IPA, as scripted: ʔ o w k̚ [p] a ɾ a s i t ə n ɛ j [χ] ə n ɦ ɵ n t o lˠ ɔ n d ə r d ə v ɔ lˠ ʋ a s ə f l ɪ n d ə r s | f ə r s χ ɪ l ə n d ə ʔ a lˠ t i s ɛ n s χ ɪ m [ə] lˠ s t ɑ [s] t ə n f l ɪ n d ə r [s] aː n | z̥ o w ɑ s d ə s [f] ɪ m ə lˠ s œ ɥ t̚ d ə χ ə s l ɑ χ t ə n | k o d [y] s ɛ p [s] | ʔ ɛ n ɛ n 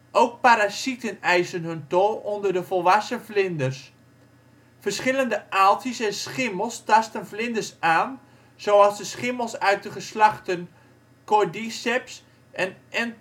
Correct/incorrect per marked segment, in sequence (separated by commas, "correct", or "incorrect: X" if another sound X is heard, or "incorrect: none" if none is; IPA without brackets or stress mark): correct, incorrect: s, correct, correct, correct, incorrect: χ, incorrect: i, correct